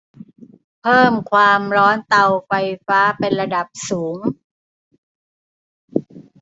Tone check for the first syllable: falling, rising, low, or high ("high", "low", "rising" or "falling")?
falling